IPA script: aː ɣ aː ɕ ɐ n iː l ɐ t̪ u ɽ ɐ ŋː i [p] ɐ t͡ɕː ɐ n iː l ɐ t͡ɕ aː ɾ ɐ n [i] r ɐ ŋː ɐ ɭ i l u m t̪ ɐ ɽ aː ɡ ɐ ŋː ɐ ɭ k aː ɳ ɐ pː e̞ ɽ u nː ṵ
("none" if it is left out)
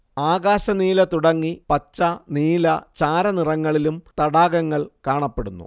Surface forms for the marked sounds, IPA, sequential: p, i

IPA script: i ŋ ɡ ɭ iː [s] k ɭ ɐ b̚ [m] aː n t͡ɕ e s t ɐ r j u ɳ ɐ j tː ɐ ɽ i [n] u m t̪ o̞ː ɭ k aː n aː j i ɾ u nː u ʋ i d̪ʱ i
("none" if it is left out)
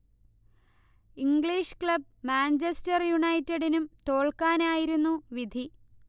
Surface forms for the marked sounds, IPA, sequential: ʂ, m, n

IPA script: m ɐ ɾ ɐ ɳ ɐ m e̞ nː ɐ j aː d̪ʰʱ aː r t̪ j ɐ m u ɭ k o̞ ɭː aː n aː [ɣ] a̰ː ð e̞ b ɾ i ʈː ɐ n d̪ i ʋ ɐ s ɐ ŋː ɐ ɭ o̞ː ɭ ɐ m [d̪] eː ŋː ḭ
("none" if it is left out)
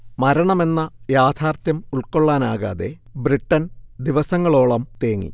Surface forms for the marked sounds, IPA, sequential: ɣ, t̪

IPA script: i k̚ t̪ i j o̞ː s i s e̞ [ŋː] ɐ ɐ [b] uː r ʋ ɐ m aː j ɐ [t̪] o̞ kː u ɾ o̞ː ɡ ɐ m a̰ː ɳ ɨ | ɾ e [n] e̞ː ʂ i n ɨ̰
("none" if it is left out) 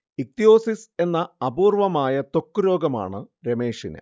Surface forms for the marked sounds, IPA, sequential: nː, b, t̪, m

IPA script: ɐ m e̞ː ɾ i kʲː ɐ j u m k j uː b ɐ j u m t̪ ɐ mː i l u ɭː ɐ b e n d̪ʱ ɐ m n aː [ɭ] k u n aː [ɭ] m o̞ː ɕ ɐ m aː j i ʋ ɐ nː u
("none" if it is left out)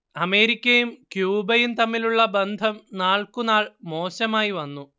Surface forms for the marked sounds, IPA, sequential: ɭ, ɭ

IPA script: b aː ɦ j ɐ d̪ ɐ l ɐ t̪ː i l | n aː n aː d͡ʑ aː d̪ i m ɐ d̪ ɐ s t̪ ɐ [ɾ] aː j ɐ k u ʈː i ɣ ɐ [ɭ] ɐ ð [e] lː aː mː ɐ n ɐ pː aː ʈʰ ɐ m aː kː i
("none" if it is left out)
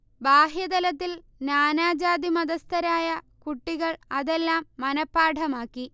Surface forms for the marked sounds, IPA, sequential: ɾ, ɭ, e

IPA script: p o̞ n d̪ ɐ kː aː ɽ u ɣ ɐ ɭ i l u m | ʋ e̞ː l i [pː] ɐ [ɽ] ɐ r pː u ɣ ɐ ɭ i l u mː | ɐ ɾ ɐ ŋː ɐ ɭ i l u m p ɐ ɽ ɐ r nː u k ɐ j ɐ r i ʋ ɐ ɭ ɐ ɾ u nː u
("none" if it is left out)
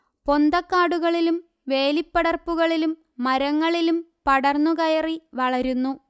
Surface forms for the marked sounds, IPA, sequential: pː, ɽ

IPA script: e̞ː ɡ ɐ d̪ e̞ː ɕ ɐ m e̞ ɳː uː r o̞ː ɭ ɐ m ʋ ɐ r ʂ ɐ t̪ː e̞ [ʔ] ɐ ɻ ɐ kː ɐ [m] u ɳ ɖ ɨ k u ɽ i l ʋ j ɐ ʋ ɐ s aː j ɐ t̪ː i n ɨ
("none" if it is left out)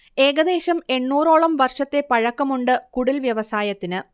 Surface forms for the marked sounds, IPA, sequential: p, m

